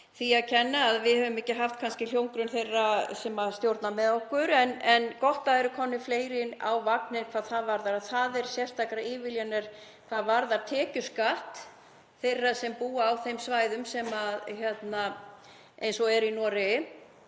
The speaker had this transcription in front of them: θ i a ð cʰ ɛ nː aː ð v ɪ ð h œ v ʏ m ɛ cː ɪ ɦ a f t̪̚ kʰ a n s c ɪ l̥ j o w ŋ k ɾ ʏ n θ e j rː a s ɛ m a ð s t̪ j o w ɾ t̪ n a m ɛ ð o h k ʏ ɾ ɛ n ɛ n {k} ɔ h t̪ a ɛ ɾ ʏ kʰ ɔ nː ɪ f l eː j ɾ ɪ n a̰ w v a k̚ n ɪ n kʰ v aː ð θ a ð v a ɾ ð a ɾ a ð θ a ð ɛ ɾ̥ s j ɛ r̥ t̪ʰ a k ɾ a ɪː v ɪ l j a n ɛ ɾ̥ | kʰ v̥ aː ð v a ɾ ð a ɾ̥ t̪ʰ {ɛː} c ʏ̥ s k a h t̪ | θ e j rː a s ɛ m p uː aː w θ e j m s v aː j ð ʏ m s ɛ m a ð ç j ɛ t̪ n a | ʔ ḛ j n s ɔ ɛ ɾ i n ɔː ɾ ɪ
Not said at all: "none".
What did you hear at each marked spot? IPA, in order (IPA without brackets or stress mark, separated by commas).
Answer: k, ɛː